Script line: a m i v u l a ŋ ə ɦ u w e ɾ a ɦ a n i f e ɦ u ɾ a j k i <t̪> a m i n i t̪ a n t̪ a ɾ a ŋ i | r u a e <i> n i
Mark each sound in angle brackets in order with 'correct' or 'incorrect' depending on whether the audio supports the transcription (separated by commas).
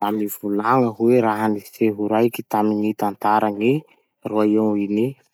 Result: correct, correct